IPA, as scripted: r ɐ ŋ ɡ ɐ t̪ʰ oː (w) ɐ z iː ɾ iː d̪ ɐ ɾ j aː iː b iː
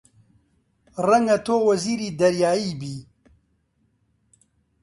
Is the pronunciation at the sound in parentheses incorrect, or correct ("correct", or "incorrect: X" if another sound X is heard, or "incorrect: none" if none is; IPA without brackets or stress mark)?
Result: correct